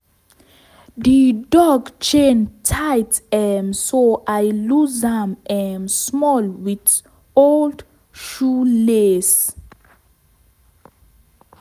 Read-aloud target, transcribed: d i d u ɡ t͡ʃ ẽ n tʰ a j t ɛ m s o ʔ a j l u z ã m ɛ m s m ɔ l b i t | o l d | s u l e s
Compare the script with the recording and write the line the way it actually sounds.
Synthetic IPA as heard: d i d ɔ ɡ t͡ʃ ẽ n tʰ a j t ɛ m s o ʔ a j l u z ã m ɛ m s m ɔ l w i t | o l d | ʃ u l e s